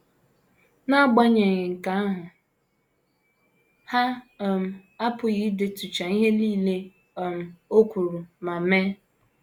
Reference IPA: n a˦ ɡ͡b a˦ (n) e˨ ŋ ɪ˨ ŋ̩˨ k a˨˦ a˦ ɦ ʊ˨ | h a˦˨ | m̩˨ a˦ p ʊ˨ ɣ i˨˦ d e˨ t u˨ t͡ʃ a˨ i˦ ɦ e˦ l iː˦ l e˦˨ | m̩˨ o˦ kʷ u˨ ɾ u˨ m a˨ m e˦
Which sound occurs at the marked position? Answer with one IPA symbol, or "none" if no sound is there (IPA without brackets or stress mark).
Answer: ɲ